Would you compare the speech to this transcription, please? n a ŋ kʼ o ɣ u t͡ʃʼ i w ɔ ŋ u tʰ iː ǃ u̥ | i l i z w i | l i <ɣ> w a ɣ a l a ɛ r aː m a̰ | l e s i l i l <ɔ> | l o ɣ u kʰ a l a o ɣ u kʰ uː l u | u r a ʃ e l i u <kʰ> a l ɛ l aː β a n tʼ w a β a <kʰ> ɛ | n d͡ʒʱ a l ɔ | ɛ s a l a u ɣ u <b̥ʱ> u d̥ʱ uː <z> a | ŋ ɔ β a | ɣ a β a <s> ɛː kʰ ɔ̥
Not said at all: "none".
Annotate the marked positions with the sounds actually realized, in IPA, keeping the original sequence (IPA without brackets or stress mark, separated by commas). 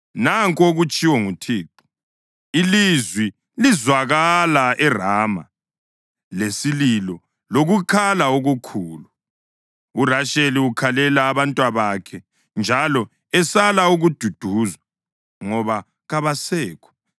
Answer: z, ɔ, kʰ, kʰ, d̥ʱ, z, s